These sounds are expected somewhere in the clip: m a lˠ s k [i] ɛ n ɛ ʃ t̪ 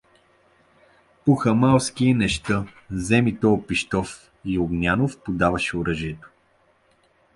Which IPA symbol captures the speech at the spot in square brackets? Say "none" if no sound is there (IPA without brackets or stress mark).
i